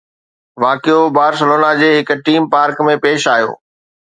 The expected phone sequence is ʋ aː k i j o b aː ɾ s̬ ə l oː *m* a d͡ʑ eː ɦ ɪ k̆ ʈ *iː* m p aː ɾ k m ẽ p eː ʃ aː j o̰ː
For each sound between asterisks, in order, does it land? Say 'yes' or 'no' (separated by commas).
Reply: no, yes